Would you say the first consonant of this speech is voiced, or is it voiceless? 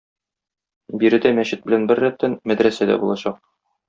voiced